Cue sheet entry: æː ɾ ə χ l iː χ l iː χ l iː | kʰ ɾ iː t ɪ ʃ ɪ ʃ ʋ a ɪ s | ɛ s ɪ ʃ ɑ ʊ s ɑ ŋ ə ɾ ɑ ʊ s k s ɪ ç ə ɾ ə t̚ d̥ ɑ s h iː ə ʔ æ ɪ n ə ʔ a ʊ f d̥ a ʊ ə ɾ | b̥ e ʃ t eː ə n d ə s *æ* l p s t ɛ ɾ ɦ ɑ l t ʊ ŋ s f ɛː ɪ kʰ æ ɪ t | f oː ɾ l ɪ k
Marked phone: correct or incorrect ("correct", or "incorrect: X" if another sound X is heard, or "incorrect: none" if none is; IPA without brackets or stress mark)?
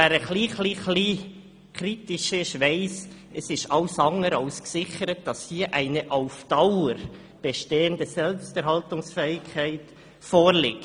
incorrect: ɛ